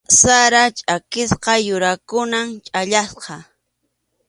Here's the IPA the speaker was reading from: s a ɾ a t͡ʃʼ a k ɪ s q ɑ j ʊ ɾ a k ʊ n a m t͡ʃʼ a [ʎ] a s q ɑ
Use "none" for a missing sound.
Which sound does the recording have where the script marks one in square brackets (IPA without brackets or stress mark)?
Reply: ʎ